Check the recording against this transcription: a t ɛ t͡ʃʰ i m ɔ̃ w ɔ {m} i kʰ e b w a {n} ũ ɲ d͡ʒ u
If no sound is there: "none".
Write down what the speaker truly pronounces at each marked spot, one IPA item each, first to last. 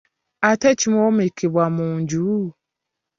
m, m

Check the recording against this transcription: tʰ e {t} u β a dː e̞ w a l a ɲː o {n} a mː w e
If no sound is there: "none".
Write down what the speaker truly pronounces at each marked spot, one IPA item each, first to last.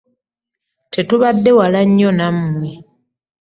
t, n

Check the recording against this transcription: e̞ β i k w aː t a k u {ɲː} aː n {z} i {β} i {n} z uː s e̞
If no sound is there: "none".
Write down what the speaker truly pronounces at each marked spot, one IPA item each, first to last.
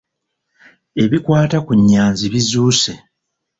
ɲː, z, β, none

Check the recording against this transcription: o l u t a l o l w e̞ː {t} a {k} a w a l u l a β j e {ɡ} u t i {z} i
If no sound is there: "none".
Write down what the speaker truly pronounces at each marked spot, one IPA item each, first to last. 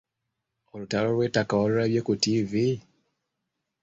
t, k, k, v

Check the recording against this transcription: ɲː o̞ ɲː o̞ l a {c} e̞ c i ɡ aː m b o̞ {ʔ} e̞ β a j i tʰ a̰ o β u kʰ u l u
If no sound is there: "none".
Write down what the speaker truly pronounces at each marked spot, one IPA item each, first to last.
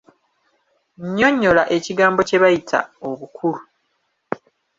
ʔ, c

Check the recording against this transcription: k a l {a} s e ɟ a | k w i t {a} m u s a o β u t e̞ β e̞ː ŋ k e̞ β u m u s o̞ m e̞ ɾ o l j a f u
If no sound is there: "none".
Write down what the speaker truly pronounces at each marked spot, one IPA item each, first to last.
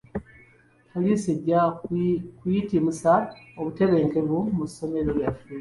i, i

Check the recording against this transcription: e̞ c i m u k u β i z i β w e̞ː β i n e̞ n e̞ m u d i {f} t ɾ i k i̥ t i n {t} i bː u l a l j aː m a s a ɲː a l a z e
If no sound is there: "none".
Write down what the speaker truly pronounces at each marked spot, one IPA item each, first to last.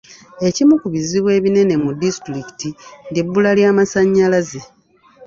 s, d

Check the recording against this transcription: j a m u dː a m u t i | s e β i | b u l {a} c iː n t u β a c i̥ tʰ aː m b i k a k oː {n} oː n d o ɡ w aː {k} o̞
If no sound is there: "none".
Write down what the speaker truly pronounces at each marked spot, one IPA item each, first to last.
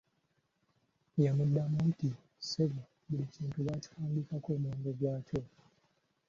i, m, c

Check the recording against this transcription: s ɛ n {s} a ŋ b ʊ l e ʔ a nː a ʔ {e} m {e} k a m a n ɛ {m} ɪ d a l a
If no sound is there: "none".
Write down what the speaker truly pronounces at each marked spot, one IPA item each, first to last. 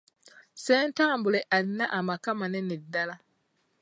t, a, a, n

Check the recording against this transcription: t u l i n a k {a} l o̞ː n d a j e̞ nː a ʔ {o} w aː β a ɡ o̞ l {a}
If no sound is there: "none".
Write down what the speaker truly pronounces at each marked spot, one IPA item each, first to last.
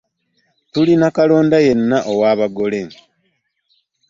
a, o, e

